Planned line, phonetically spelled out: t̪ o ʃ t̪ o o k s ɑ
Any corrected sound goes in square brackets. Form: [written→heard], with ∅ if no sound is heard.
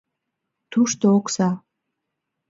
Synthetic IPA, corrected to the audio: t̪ [o→u] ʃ t̪ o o k s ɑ